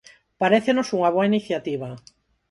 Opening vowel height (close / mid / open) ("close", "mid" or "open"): open